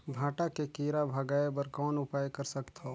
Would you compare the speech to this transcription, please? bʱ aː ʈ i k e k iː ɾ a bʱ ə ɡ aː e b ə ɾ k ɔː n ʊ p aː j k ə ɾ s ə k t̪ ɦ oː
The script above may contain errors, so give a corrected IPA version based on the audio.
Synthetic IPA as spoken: bʱ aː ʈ a k e k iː ɾ a bʱ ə ɡ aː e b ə ɾ k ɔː n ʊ p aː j k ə ɾ s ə k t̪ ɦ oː